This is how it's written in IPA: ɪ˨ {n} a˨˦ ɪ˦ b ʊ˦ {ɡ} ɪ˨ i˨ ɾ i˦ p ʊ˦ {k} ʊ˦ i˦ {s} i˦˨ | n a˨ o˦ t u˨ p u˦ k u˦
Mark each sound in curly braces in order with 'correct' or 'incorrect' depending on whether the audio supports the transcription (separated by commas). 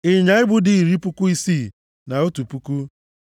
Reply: incorrect, incorrect, correct, correct